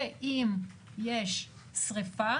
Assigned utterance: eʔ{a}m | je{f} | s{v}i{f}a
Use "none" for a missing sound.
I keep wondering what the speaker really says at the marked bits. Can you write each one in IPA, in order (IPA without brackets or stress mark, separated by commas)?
i, ʃ, ʁ, f